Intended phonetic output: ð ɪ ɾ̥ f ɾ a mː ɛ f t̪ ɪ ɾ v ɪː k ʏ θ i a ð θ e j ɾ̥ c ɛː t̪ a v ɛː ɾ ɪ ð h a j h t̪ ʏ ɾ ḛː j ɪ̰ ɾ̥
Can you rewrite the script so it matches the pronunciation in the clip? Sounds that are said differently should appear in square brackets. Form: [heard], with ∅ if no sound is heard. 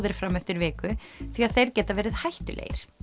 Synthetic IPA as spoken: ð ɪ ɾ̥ f ɾ a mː ɛ f t̪ ɪ ɾ v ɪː k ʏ θ i a ð θ e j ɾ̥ c ɛː t̪ a v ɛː ɾ ɪ ð h a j h t̪ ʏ [l] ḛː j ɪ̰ ɾ̥